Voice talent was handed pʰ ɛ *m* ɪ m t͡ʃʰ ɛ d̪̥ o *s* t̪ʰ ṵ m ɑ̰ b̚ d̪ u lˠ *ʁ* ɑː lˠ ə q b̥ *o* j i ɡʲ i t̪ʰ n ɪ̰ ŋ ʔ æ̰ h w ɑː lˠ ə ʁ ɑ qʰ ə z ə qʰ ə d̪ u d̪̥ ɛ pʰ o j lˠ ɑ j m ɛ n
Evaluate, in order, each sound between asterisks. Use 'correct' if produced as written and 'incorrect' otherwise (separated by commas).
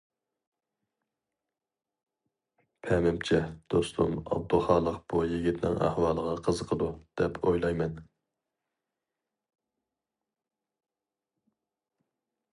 correct, correct, incorrect, incorrect